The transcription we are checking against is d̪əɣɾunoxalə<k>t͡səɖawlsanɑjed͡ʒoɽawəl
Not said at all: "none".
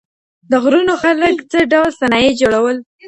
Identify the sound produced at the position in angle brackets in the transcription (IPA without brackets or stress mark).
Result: k